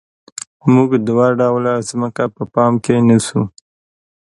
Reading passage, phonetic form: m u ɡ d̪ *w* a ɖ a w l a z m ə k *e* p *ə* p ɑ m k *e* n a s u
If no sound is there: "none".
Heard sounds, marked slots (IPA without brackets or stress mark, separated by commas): w, a, ə, e